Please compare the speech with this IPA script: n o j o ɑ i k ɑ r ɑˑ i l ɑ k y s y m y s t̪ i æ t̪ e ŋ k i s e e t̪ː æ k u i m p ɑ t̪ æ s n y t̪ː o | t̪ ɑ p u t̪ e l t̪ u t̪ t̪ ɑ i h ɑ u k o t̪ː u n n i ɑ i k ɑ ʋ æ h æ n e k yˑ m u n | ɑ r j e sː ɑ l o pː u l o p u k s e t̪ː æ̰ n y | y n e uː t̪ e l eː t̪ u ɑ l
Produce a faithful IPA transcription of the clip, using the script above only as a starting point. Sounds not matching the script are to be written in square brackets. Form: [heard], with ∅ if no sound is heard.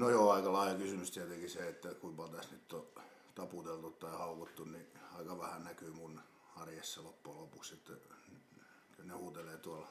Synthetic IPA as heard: n o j o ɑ i k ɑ [l] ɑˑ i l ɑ k y s y m y s t̪ i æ t̪ e ŋ k i s e e t̪ː æ k u i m p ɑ t̪ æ s n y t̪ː o | t̪ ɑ p u t̪ e l t̪ u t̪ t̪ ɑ i h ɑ u k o t̪ː u n n i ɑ i k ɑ ʋ æ h æ n [æ] k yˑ m u n | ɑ r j e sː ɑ l o pː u l o p u k s e t̪ː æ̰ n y | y n e uː t̪ e l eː t̪ u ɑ l